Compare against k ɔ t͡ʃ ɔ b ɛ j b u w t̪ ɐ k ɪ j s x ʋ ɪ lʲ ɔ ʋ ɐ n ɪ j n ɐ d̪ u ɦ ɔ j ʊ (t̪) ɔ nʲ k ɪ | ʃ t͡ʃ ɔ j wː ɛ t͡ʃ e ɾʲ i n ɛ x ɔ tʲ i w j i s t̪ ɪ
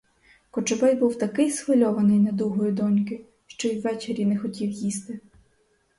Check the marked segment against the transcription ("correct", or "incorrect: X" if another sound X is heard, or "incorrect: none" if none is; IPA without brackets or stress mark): incorrect: d̪